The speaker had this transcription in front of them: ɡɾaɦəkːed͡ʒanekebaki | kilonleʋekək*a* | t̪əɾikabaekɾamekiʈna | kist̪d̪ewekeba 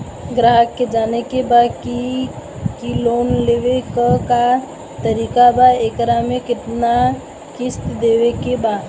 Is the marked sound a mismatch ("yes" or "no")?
no